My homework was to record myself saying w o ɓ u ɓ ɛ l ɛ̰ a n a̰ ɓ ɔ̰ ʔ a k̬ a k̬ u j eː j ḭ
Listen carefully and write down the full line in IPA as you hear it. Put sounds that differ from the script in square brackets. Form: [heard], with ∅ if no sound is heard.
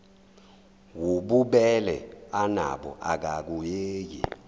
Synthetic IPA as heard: w [u] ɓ u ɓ ɛ l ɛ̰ a n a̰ ɓ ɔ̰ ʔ a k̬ a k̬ u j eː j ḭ